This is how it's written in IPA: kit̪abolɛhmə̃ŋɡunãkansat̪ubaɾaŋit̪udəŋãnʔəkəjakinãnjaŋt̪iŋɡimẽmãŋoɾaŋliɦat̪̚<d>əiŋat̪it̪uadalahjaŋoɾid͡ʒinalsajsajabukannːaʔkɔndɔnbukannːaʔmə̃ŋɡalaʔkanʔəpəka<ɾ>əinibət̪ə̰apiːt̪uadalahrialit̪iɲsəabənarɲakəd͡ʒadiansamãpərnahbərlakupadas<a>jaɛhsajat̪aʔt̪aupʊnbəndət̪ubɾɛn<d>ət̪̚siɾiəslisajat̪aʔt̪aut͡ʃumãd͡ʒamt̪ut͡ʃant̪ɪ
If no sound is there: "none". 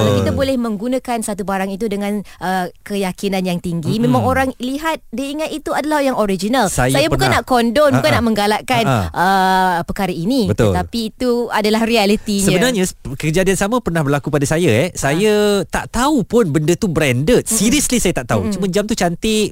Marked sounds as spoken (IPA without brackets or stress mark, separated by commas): d, ɾ, a, d